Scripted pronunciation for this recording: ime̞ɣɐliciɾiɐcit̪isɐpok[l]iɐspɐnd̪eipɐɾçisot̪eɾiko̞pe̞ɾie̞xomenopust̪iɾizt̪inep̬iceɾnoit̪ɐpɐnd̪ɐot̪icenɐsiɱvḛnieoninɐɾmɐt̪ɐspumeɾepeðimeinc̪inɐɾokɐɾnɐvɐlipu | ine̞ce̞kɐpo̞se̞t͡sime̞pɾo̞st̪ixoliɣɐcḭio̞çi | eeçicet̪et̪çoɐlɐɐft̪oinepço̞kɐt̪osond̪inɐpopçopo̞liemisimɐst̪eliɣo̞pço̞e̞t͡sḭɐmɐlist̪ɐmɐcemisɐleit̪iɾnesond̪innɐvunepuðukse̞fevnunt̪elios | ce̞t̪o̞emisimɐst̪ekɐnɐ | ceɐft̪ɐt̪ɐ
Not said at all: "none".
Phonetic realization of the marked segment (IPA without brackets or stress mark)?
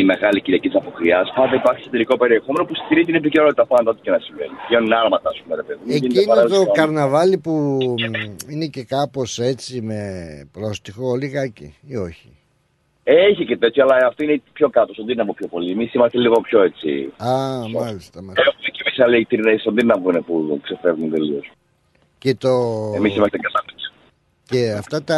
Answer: ɾ